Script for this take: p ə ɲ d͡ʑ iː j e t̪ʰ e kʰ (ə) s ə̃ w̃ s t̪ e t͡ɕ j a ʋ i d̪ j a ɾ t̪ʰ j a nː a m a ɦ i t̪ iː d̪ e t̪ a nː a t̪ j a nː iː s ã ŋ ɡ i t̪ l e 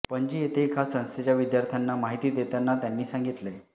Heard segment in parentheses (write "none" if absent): a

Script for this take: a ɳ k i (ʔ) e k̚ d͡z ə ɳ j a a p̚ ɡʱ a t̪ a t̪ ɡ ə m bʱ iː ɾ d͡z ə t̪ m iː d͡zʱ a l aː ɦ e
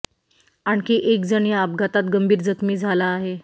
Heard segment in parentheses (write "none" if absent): ʔ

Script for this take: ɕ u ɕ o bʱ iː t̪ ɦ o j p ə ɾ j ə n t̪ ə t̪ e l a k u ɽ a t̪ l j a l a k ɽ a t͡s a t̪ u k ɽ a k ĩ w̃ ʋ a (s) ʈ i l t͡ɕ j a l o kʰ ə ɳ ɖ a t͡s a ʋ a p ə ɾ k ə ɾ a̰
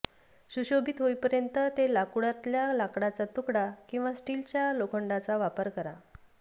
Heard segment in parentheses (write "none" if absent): s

